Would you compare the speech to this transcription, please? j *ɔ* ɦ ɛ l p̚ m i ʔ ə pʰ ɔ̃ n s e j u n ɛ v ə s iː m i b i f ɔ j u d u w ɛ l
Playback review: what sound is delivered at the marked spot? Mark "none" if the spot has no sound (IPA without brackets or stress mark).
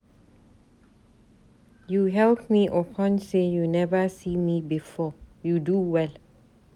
u